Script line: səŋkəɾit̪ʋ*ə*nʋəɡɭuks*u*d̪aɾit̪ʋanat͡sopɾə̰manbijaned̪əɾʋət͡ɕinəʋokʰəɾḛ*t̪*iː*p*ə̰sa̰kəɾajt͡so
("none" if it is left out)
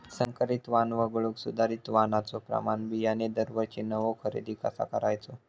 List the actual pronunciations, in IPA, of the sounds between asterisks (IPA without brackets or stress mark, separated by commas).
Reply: a, u, d̪, k